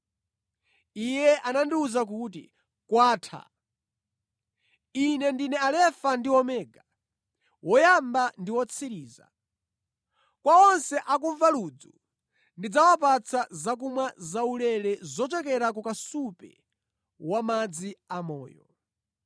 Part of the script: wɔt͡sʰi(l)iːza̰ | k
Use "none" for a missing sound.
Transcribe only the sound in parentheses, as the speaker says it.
ɾ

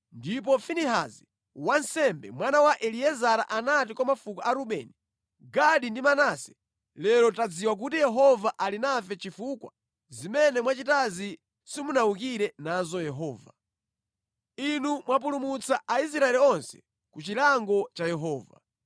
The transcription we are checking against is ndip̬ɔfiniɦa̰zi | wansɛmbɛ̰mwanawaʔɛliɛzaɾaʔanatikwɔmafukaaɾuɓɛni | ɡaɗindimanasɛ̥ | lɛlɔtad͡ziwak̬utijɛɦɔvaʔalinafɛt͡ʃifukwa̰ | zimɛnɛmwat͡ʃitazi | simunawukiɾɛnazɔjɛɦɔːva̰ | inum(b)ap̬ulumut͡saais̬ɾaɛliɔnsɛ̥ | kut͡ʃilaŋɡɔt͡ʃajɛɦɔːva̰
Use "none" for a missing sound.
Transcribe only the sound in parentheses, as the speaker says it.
w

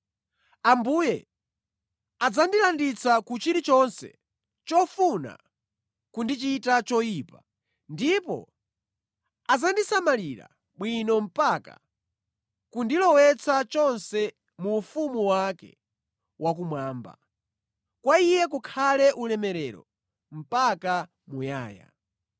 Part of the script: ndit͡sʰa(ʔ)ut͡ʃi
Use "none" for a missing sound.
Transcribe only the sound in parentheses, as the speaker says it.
k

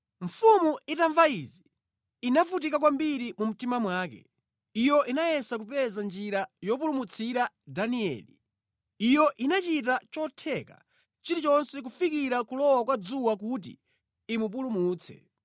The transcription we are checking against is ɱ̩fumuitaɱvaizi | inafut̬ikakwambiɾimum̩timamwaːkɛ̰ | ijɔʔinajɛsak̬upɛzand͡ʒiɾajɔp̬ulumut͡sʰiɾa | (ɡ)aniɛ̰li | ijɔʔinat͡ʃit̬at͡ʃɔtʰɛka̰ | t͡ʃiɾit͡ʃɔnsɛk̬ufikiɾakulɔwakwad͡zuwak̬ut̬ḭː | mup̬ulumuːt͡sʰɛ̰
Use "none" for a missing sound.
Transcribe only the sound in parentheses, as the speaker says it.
d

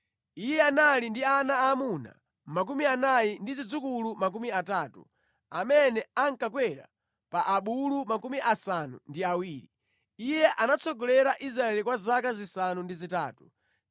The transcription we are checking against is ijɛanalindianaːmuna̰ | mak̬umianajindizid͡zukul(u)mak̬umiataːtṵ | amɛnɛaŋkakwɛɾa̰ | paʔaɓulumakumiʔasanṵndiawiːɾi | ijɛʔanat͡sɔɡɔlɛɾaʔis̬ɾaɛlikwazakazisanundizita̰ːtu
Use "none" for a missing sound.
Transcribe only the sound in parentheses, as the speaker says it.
u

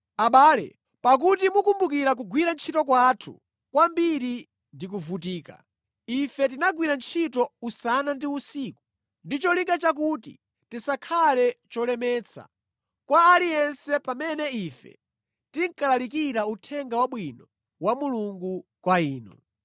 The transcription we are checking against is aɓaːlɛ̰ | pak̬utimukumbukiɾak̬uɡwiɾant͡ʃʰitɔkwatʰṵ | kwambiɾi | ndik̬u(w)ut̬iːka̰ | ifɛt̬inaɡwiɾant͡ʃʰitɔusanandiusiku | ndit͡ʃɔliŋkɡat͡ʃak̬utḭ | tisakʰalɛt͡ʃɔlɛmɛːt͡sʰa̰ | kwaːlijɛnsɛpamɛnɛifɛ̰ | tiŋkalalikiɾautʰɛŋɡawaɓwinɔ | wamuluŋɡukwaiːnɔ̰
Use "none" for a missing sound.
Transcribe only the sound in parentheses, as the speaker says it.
v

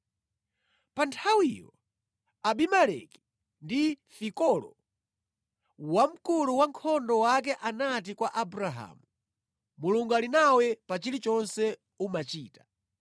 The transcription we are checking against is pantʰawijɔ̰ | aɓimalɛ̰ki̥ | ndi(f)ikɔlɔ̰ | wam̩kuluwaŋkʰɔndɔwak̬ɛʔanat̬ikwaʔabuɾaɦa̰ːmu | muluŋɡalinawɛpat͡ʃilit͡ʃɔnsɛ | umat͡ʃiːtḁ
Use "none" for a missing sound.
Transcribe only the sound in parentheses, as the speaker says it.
f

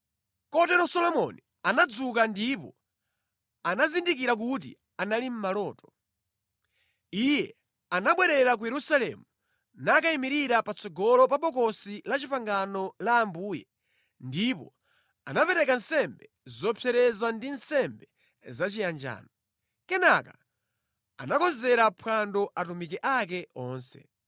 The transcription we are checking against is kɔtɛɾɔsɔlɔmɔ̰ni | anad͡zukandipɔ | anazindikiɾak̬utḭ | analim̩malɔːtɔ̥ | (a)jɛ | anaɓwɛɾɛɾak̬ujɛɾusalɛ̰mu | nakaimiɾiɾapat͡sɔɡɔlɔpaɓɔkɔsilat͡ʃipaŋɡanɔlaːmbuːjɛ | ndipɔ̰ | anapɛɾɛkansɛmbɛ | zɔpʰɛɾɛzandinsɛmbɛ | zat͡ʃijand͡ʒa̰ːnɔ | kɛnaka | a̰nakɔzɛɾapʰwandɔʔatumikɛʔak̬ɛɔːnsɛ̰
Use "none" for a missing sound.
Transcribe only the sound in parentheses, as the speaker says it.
i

